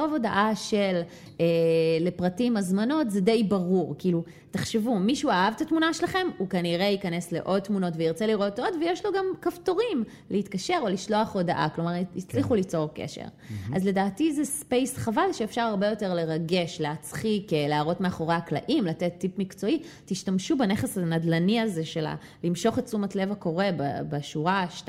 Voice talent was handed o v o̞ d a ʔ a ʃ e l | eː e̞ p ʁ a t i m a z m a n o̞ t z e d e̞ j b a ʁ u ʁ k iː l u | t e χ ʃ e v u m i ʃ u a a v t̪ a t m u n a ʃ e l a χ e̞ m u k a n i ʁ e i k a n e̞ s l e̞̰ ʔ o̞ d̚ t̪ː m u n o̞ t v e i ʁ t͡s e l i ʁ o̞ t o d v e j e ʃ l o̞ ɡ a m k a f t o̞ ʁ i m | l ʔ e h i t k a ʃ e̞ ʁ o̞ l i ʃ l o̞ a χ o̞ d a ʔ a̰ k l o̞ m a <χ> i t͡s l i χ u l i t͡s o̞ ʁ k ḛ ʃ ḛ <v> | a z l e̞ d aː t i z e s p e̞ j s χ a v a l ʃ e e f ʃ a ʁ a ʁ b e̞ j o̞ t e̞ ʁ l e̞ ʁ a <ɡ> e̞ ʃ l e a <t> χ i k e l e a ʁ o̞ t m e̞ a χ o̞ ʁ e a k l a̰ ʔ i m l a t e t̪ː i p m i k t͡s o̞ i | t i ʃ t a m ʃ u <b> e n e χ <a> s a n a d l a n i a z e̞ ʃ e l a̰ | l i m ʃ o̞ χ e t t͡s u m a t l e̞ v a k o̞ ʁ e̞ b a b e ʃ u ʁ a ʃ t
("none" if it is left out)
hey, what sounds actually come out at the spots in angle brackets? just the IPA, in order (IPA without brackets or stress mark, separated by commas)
ʁ, ʁ, ɡ, t͡s, b, e